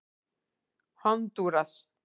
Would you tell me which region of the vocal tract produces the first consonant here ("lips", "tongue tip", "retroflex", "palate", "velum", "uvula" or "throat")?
throat